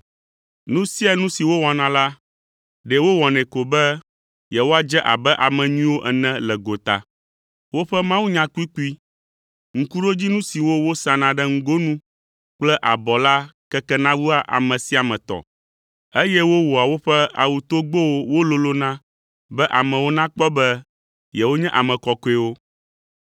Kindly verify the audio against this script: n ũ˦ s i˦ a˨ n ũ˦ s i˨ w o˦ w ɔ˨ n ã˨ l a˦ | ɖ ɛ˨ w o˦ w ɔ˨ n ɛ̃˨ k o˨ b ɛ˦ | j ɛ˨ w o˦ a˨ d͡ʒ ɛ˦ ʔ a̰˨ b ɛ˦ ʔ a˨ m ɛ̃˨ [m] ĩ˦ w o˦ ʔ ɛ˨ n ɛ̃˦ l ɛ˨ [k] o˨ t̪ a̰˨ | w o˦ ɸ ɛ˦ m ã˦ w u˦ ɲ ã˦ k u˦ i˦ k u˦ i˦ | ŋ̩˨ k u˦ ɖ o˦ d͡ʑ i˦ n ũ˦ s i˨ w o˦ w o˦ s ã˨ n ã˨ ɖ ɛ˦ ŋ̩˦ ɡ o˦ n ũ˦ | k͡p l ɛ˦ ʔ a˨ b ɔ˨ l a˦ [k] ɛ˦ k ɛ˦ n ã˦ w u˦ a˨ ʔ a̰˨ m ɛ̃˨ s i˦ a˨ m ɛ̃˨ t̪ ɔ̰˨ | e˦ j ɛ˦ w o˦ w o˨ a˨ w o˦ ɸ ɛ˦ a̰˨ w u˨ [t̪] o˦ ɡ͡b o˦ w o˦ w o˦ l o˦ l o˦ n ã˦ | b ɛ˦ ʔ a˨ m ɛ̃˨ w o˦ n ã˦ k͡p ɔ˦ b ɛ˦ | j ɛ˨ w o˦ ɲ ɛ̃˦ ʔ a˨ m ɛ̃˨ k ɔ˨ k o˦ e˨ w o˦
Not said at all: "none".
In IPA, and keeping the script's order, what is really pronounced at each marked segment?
ɲ, ɡ, k, t̪

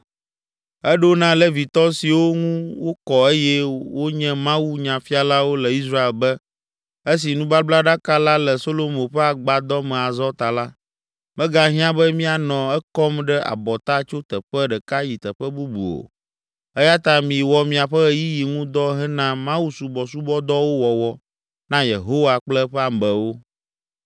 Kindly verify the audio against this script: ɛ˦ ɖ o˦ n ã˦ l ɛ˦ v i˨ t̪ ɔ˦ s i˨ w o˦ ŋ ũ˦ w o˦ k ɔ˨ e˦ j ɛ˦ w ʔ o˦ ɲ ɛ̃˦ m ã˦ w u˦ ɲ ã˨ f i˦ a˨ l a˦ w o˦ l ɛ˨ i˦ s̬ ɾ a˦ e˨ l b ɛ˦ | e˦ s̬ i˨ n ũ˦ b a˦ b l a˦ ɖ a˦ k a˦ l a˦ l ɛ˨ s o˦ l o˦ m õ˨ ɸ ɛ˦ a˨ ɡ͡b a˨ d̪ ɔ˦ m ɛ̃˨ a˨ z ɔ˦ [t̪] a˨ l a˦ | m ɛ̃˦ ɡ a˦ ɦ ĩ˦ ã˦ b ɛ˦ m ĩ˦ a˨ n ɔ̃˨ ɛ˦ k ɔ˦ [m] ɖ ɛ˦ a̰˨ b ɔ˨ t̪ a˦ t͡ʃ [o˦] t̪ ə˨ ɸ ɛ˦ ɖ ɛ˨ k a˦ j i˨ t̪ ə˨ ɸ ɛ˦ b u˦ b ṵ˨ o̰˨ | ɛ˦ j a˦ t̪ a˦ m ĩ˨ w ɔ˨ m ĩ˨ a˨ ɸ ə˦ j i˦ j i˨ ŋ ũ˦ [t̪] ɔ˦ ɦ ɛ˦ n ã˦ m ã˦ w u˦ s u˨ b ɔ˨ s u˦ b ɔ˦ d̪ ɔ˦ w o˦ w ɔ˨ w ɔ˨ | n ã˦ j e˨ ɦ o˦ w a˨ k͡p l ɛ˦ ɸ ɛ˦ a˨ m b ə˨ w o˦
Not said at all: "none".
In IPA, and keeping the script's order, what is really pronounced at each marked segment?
t̪, m, o˦, d̪

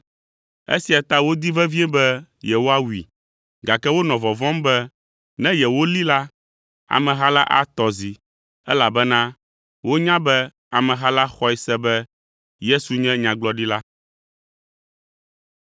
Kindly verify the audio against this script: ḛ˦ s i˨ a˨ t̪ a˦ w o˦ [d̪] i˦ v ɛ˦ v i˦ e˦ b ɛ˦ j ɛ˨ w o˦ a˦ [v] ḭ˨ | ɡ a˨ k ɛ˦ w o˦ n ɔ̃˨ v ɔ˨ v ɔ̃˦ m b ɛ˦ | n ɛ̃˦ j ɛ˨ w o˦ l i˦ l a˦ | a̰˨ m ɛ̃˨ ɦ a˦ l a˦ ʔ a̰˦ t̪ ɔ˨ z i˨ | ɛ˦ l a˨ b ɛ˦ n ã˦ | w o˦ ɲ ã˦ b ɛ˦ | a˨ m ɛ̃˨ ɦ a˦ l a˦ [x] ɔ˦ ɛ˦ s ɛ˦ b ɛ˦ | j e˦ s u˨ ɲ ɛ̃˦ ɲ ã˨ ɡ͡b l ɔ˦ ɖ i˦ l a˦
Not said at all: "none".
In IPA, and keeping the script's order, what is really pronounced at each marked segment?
d̪, w, x

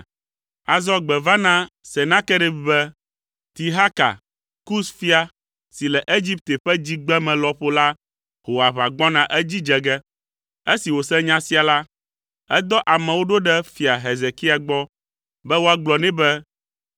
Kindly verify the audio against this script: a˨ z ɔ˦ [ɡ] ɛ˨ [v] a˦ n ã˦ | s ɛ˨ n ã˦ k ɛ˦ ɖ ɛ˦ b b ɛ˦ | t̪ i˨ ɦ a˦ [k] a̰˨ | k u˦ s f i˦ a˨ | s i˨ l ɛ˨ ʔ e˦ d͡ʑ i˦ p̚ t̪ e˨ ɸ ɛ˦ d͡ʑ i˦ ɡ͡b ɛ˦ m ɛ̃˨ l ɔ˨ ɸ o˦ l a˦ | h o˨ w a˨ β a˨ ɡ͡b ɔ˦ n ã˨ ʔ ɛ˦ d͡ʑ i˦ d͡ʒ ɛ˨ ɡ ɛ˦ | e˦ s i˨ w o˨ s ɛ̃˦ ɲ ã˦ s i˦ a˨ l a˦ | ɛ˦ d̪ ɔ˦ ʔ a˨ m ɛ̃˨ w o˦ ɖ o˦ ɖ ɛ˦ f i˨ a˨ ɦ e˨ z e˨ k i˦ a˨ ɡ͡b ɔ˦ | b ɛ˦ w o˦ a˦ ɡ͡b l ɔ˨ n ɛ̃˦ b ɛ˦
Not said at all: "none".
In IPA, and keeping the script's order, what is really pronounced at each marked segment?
ɡ͡b, v, k

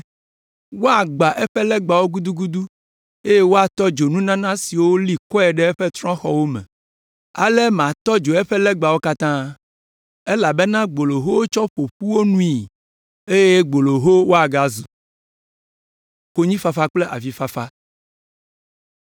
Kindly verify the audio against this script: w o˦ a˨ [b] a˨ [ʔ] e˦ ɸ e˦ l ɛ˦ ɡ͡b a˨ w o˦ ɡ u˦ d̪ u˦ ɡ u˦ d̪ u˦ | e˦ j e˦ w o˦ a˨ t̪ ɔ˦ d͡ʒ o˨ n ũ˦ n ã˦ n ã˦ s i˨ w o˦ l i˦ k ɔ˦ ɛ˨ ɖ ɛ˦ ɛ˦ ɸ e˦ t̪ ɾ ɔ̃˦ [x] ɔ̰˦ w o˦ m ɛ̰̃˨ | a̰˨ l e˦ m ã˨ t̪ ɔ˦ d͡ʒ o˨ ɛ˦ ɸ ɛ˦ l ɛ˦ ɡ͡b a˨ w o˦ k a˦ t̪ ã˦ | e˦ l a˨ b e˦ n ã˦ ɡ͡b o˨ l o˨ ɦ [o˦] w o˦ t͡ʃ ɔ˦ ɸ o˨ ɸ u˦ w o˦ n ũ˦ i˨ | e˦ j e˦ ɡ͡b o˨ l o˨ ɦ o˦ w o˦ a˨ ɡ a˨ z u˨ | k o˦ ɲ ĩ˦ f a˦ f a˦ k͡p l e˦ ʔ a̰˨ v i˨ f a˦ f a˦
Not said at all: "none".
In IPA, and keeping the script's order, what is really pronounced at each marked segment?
ɡ͡b, ʔ, x, o˦

